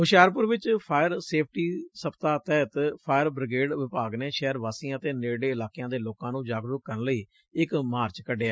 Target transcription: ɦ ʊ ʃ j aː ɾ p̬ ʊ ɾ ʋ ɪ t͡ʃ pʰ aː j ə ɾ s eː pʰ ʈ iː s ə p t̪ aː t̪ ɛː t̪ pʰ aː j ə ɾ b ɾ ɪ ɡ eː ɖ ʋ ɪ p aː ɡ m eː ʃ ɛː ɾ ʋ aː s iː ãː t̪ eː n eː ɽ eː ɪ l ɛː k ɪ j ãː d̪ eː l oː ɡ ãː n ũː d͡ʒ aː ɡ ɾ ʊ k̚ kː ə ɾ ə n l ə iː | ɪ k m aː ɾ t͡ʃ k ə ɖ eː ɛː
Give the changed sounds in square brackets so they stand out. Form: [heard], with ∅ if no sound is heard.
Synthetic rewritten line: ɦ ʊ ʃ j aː ɾ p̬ ʊ ɾ ʋ ɪ t͡ʃ pʰ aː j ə ɾ s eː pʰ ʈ iː s ə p t̪ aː t̪ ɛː t̪ pʰ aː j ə ɾ b ɾ ɪ ɡ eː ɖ ʋ ɪ p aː ɡ [n] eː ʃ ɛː ɾ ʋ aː s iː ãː t̪ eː n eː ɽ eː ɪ l [aː] k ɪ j ãː d̪ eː l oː [k] ãː n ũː d͡ʒ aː ɡ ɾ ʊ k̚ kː ə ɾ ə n l ə iː | ɪ k m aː ɾ t͡ʃ k ə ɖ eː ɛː